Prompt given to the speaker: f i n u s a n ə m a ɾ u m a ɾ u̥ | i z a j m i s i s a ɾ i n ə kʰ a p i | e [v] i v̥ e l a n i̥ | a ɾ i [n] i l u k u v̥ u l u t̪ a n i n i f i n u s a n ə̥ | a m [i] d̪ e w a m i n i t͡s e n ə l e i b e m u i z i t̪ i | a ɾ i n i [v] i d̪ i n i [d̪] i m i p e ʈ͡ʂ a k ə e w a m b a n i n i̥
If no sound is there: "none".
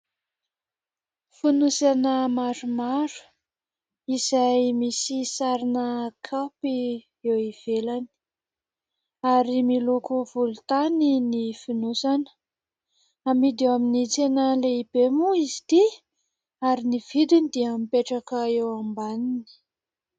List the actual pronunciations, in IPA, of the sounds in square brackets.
w, m, i, v, d̪

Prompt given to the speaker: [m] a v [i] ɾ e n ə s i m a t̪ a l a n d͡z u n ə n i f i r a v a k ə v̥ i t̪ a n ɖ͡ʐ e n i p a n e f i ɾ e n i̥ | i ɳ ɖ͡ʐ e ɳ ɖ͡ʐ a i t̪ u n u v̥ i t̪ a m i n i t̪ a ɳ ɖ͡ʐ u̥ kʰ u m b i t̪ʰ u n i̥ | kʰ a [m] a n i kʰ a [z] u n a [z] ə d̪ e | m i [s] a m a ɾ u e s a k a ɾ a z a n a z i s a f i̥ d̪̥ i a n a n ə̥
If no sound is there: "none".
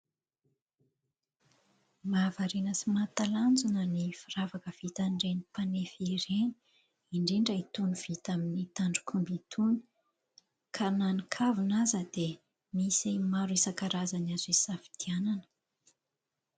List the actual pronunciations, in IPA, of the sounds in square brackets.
m, a, n, v, z, s

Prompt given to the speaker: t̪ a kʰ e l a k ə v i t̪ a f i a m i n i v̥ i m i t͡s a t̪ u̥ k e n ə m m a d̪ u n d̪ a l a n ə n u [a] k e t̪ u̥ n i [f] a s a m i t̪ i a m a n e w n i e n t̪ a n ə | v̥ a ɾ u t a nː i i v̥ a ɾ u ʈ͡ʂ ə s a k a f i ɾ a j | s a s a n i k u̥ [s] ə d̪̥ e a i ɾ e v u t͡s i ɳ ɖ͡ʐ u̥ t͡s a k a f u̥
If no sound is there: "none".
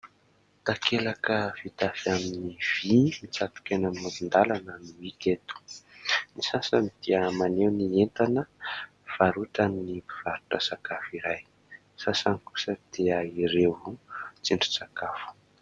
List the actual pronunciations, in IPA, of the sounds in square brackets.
i, s, s

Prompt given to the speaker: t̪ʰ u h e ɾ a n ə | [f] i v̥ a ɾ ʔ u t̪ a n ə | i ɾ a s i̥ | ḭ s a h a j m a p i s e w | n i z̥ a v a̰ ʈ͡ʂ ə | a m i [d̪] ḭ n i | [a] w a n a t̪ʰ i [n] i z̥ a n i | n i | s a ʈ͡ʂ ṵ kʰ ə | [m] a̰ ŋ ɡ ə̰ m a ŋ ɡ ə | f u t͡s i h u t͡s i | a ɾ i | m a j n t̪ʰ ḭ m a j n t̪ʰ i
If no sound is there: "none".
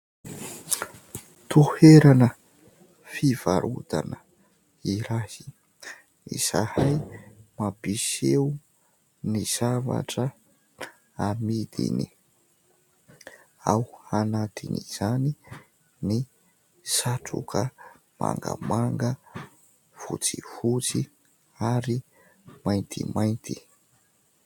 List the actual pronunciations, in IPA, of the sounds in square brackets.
f, d̪, a, n, m

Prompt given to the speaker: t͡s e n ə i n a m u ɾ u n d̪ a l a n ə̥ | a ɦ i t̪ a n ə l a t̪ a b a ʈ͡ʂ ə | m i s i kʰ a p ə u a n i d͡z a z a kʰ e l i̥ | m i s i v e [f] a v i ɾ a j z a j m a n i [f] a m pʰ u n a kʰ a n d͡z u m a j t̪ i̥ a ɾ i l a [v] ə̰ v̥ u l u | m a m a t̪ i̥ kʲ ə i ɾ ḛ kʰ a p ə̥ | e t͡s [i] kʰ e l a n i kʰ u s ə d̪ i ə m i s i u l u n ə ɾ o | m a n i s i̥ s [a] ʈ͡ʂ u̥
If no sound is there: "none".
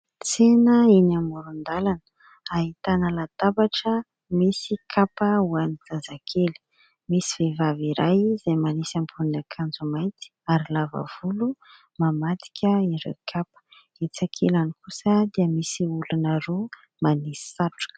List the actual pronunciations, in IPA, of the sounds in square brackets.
v, s, v, a, a

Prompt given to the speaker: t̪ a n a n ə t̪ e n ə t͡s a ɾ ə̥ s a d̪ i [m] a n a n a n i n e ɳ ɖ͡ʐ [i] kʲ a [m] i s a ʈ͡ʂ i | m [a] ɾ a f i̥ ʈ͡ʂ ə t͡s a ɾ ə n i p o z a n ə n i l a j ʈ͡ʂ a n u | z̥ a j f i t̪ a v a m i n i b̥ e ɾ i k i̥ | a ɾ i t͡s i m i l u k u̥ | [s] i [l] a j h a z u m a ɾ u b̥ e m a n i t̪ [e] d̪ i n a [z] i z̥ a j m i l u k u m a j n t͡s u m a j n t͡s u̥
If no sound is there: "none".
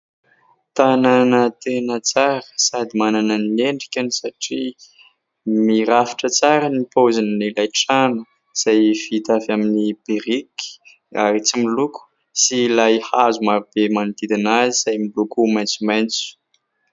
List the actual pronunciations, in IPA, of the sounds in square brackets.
m, i, n, i, s, l, i, z

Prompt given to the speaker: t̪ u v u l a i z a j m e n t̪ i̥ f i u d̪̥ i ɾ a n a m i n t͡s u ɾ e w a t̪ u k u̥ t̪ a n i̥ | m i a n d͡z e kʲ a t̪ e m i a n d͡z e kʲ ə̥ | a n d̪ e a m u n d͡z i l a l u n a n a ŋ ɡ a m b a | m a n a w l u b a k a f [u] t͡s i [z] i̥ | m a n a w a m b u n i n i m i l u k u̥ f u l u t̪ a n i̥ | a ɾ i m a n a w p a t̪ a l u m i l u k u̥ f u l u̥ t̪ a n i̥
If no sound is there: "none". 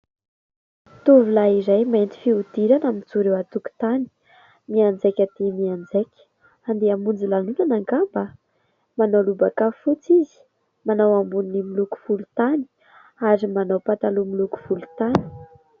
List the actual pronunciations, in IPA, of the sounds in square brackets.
u, z

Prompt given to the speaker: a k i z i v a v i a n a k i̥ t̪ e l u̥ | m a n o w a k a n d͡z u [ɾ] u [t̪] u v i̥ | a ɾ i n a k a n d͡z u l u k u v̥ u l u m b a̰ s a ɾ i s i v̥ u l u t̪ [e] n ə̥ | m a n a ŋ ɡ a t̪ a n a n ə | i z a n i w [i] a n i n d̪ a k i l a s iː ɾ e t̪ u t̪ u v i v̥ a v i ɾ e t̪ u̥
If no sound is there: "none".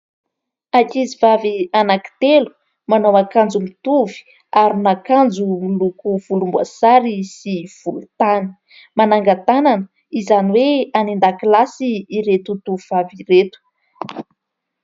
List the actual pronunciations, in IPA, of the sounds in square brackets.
l, t̪, a, e

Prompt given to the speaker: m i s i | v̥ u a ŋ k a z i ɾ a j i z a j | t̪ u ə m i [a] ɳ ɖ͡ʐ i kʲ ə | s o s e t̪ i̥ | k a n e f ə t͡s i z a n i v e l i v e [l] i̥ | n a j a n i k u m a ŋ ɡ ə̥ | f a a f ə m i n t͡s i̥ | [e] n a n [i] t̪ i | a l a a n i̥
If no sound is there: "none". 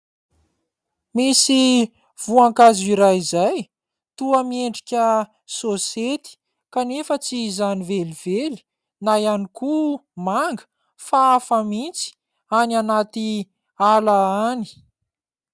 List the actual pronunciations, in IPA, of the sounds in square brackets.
e, l, a, a

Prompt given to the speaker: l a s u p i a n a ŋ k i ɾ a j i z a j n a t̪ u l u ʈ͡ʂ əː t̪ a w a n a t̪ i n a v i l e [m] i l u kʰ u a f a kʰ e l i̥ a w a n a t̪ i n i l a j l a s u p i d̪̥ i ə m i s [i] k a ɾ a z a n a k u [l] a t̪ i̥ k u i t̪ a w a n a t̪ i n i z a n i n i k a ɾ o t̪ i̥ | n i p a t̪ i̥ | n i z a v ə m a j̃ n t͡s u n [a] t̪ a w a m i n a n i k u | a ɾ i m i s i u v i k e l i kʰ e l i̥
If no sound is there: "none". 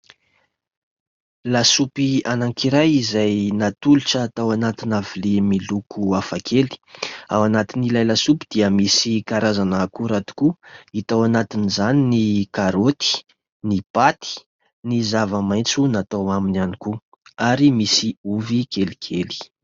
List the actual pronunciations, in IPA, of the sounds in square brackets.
m, i, ɾ, a

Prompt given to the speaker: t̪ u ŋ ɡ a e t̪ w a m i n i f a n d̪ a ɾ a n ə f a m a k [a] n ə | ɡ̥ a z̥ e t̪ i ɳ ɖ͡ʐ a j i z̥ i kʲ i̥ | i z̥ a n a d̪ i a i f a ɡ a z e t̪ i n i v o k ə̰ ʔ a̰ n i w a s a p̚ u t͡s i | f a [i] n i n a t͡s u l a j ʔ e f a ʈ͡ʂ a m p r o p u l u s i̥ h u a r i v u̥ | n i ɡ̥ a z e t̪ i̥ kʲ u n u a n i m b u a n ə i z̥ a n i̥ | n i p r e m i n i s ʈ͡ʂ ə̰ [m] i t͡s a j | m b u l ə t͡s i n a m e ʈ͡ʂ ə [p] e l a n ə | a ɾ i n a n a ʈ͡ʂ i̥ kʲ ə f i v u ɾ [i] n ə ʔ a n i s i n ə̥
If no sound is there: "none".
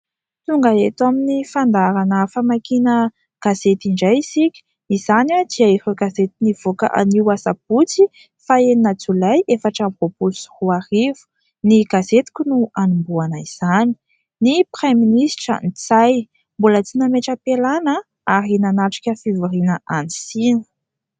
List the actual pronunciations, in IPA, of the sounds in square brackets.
i, e, n, p, i

